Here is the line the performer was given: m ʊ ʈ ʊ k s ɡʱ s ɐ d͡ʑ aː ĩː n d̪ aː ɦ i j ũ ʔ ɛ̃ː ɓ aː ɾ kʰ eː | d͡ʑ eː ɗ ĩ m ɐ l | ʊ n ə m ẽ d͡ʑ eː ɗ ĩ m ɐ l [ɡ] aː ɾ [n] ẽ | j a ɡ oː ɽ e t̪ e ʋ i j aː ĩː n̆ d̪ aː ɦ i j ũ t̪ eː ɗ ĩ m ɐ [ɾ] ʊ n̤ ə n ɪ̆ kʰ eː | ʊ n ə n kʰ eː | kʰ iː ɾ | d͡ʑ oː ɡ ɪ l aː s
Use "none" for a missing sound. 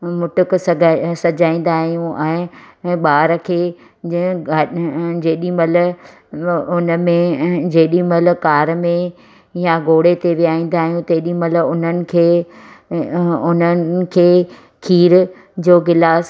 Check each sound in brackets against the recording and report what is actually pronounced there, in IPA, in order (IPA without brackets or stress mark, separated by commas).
k, m, l